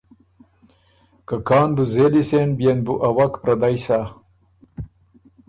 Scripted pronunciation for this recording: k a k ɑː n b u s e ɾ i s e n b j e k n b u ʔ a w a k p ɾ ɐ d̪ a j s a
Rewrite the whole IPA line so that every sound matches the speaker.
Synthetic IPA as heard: k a k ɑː n b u z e l i s e n b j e n b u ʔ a w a k p ɾ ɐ d̪ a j s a